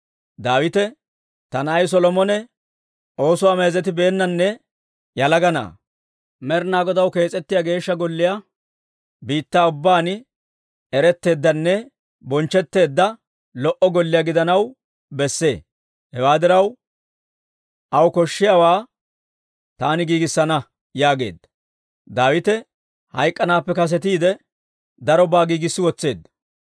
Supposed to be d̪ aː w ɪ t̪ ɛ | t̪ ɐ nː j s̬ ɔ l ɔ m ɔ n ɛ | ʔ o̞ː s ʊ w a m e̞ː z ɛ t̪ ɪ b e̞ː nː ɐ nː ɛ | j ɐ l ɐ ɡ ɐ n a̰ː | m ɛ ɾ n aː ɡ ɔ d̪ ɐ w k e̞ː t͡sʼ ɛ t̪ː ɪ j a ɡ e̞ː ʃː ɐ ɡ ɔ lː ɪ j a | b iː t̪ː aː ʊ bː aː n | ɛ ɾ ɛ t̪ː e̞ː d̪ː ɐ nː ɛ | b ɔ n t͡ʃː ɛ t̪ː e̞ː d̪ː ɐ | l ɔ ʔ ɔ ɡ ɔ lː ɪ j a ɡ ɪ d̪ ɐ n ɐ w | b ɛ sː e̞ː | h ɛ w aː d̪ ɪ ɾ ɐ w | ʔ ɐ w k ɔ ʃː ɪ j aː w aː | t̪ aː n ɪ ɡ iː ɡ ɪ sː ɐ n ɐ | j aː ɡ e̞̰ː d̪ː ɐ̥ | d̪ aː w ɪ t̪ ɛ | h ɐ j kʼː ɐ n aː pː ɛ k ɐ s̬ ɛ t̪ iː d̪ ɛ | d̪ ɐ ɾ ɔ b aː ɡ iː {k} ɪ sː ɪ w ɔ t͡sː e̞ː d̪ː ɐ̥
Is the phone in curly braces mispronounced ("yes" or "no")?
yes